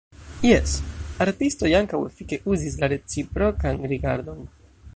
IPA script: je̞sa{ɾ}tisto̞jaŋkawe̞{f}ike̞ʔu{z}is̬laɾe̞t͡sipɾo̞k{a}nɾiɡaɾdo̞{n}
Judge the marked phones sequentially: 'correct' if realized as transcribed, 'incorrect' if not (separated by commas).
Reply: correct, correct, correct, correct, correct